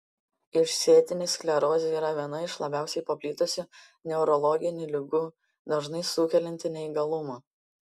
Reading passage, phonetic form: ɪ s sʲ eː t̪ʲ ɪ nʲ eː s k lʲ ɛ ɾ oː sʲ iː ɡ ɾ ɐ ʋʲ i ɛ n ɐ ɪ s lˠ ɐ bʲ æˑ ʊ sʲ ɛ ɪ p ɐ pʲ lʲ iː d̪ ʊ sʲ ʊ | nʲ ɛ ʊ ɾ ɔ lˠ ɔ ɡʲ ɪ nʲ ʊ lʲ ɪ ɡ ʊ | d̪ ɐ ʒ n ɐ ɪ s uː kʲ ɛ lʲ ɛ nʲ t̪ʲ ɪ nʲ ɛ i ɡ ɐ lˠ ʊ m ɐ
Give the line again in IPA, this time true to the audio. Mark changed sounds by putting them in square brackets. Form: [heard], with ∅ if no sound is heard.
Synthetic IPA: ɪ [ʃ] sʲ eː t̪ʲ ɪ nʲ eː s k lʲ ɛ ɾ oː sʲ iː [∅] ɾ ɐ ʋʲ i ɛ n ɐ ɪ [ʃ] lˠ ɐ bʲ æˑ ʊ sʲ ɛ ɪ p ɐ pʲ lʲ iː [t̪] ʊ sʲ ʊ | nʲ ɛ ʊ ɾ ɔ lˠ ɔ ɡʲ ɪ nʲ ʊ lʲ ɪ ɡ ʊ | d̪ ɐ ʒ n ɐ ɪ s uː kʲ ɛ lʲ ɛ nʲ t̪ʲ ɪ nʲ ɛ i ɡ ɐ lˠ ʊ m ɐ